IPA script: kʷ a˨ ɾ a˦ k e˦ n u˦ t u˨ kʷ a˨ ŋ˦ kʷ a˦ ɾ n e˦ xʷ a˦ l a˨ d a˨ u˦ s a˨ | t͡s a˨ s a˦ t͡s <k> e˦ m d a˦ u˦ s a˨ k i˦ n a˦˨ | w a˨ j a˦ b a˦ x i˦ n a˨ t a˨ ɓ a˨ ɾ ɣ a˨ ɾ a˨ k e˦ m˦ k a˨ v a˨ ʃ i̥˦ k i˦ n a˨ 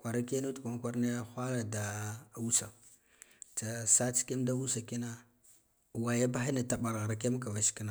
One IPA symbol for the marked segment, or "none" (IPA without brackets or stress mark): k